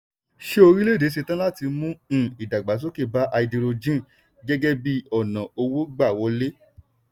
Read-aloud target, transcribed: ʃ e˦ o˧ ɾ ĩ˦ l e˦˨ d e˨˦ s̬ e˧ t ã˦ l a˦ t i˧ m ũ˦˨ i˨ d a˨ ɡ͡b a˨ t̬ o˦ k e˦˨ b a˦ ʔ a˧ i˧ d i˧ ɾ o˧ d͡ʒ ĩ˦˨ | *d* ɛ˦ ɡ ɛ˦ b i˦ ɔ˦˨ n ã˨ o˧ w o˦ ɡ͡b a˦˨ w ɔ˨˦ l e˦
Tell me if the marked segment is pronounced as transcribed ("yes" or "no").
no